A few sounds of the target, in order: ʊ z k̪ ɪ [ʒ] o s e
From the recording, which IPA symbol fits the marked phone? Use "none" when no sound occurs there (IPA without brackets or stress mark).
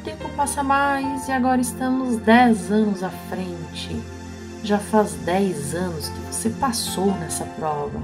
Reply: v